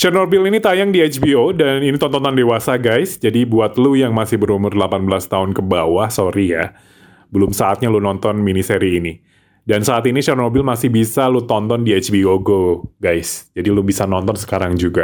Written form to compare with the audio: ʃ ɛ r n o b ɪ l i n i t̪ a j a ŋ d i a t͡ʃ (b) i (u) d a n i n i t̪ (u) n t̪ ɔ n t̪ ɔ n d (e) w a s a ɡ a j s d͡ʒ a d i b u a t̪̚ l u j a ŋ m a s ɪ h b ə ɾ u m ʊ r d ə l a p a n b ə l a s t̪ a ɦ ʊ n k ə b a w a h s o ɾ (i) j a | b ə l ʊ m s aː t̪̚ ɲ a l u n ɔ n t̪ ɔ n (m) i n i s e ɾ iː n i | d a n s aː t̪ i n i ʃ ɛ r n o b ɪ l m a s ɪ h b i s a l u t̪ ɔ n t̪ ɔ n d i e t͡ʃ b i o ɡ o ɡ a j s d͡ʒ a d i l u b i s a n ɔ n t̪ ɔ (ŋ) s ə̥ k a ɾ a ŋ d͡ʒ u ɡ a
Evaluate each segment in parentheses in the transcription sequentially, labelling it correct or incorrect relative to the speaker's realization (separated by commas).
correct, incorrect, incorrect, correct, correct, correct, incorrect